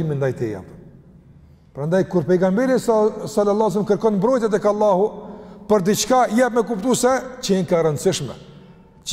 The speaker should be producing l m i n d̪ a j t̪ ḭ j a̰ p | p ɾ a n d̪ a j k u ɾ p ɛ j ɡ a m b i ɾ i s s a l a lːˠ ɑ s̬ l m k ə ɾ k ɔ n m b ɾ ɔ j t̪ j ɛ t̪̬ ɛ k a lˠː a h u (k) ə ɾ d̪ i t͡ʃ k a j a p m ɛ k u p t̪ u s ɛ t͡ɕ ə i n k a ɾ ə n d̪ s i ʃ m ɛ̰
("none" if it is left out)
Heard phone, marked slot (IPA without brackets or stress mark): p